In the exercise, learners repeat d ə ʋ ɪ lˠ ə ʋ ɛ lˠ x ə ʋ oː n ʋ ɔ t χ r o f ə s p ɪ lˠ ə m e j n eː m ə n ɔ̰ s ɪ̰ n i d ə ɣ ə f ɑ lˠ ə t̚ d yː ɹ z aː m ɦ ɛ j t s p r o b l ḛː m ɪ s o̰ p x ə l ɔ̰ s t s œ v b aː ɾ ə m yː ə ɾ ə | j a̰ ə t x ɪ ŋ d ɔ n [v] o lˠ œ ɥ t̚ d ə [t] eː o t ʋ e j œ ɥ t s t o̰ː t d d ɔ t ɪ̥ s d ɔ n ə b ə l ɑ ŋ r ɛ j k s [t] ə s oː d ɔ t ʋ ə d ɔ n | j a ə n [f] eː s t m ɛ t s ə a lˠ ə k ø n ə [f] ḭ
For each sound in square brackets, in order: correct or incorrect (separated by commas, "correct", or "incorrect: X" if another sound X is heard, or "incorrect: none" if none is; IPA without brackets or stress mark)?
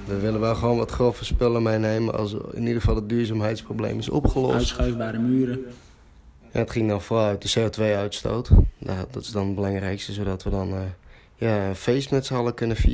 incorrect: f, incorrect: s, correct, correct, correct